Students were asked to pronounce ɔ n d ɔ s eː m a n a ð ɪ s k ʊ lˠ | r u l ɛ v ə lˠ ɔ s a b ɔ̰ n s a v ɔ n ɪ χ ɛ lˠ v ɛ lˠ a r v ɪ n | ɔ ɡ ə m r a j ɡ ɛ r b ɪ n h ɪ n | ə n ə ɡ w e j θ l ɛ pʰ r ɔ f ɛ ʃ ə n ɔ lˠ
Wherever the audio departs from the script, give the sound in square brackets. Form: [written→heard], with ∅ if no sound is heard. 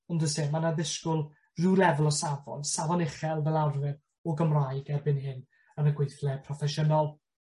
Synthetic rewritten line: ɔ n d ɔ s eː m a n a ð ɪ s k ʊ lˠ | r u l ɛ v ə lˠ ɔ s a [b→v] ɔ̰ n s a v ɔ n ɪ χ ɛ lˠ v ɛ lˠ a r v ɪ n | ɔ ɡ ə m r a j ɡ ɛ r b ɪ n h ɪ n | ə n ə ɡ w e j θ l ɛ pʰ r ɔ f ɛ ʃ ə n ɔ lˠ